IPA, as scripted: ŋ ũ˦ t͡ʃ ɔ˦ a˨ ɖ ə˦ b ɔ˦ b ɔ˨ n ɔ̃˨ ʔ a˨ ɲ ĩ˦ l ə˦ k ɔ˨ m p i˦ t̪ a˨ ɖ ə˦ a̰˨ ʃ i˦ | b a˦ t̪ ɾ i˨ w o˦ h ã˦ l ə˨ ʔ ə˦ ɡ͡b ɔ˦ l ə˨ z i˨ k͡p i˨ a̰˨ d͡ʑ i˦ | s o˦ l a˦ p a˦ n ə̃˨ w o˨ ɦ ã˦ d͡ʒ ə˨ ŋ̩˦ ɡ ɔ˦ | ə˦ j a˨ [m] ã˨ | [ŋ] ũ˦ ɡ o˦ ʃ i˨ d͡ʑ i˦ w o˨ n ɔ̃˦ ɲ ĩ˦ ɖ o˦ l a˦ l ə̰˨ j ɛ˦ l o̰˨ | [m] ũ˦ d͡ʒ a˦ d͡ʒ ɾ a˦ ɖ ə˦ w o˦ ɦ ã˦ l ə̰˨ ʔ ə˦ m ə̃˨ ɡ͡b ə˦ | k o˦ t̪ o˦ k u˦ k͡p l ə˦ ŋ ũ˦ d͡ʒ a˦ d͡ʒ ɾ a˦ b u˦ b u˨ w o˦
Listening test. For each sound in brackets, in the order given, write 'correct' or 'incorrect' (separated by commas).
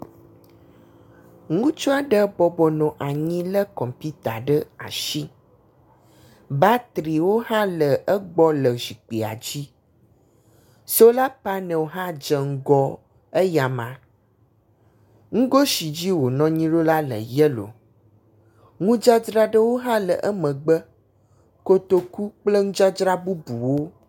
correct, correct, incorrect